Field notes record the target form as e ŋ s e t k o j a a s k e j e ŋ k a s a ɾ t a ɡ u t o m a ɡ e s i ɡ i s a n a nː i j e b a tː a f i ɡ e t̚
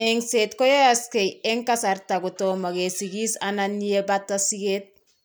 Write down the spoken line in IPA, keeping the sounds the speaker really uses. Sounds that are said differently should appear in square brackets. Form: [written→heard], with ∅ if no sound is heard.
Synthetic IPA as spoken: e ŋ s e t k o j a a s k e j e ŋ k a s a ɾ t a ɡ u t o m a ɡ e s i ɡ i s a n a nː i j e b a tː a [f→s] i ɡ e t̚